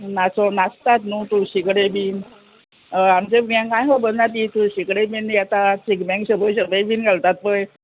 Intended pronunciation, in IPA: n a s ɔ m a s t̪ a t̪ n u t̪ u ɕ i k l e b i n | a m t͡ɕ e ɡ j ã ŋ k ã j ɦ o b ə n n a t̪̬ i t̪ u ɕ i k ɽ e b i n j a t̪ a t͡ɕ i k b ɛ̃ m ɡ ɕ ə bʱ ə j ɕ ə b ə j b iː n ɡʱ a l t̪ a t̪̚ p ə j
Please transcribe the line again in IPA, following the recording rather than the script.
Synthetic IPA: n a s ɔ n a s t̪ a t̪ n u t̪ u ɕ i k ɽ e b i n | a m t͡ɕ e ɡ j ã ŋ k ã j ɦ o b ə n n a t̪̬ i t̪ u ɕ i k ɽ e b i n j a t̪ a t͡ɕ i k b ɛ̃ ŋ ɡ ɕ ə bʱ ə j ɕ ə b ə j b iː n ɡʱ a l t̪ a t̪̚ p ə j

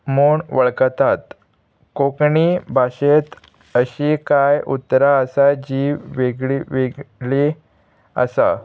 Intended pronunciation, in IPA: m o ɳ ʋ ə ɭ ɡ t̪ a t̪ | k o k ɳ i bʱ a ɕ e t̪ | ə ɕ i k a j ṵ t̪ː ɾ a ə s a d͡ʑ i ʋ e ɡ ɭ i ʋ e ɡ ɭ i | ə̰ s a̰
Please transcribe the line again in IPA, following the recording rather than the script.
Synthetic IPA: m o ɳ ʋ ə ɭ k t̪ a t̪ | k o k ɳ i bʱ a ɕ e t̪ | ə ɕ i k a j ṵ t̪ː ɾ a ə s a d͡ʑ i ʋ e ɡ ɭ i ʋ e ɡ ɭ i | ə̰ s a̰

